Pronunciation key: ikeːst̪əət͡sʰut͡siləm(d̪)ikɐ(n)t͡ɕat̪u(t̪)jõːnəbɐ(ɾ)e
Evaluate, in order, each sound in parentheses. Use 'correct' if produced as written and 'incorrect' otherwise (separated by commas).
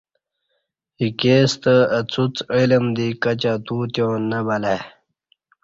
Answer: correct, incorrect, correct, incorrect